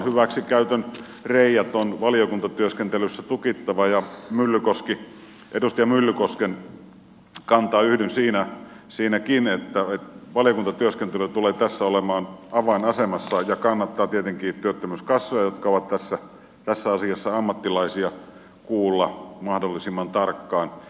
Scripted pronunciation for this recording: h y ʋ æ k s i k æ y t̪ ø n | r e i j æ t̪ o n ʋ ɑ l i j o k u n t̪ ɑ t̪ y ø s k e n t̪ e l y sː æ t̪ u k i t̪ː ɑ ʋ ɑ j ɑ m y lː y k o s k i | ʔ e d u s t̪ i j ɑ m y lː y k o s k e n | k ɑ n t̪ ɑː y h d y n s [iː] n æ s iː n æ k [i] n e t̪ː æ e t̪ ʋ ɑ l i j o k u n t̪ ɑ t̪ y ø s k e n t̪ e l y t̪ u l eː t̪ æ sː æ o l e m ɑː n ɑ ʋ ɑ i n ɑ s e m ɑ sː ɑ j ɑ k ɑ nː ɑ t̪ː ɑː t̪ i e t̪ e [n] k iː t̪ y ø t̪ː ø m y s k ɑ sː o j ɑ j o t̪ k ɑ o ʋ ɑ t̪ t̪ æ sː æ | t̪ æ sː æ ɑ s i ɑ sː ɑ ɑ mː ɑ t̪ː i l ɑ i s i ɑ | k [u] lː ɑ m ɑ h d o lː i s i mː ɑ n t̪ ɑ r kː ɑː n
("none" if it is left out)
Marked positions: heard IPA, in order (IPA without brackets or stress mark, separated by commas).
iː, i, ŋ, uː